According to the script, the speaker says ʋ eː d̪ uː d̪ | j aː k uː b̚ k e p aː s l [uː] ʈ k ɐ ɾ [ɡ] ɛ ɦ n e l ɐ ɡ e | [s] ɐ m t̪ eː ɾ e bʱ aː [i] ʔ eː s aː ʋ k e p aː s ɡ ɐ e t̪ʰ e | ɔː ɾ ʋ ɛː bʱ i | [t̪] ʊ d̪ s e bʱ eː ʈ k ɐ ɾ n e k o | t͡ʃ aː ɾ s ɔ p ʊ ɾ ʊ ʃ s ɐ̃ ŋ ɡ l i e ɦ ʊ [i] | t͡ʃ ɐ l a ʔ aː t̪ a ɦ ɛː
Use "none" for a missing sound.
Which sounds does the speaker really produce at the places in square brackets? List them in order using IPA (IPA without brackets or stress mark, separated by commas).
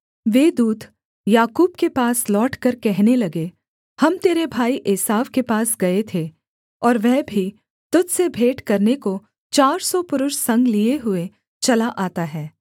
ɔː, k, h, i, t̪, e